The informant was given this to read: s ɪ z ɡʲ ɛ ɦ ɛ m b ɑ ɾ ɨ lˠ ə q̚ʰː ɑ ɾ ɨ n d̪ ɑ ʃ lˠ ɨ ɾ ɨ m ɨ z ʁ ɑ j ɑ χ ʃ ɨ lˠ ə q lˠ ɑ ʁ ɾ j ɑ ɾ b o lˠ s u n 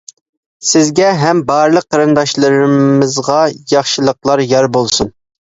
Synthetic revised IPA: s ɪ z ɡʲ ɛ ɦ ɛ m b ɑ ɾ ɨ lˠ ə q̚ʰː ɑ ɾ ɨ n d̪ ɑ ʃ lˠ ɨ ɾ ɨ m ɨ z ʁ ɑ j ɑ χ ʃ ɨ lˠ ə q lˠ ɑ ɾ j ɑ ɾ b o lˠ s u n